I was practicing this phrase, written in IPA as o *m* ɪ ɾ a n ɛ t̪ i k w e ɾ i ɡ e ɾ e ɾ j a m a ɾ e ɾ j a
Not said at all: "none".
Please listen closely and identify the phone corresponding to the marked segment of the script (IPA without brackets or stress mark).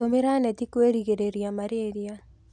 m